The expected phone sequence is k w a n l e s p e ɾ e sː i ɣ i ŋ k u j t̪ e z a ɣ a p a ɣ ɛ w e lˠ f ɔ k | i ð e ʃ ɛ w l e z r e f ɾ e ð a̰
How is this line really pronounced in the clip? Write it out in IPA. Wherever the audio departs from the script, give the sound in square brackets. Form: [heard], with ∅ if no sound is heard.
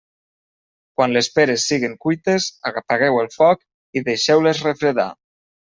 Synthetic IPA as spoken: k w a n l e s p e ɾ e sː i ɣ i ŋ k u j t̪ e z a ɣ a p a ɣ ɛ w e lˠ f ɔ k | i ð e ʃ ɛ w l e z r e f ɾ e ð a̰